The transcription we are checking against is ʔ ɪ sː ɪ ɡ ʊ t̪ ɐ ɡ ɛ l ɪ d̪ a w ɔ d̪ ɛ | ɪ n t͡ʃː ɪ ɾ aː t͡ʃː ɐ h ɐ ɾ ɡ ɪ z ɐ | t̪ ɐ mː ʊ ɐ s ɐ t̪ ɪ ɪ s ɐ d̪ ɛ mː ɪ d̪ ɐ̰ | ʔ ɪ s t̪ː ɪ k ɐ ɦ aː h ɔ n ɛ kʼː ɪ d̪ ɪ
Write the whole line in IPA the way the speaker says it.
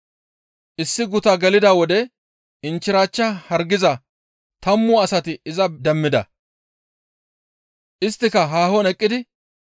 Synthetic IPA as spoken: ʔ ɪ sː ɪ ɡ ʊ t̪ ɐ ɡ ɛ l ɪ d̪ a w ɔ d̪ ɛ | ɪ n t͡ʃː ɪ ɾ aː t͡ʃː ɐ h ɐ ɾ ɡ ɪ z ɐ | t̪ ɐ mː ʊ ɐ s ɐ t̪ ɪ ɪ z ɐ d̪ ɛ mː ɪ d̪ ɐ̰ | ʔ ɪ s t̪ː ɪ k ɐ ɦ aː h ɔ n ɛ kʼː ɪ d̪ ɪ